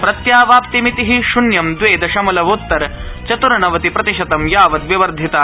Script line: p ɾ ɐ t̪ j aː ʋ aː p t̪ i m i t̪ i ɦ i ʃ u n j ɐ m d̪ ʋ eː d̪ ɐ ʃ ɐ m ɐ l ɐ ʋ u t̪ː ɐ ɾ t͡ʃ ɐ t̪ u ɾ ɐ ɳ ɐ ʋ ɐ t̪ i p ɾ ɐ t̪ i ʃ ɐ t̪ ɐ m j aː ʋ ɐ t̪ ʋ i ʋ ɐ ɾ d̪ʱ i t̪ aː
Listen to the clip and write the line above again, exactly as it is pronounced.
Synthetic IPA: p ɾ ɐ t̪ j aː ʋ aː p t̪ i m i t̪ i ɦ i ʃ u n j ɐ m d̪ ʋ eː d̪ ɐ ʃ ɐ m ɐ l ɐ ʋ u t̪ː ɐ ɾ t͡ʃ ɐ t̪ u ɾ ɐ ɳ ɐ ʋ ɐ t̪ i p ɾ ɐ t̪ i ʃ ɐ t̪ ɐ m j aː ʋ ɐ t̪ ʋ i ʋ ɐ ɾ d̪ʱ i t̪ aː